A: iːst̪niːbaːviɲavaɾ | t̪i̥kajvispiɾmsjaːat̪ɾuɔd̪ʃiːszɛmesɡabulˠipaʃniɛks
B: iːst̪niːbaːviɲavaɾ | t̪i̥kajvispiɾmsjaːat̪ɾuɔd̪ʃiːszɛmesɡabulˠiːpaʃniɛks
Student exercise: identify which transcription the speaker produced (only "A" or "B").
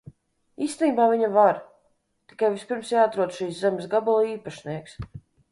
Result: B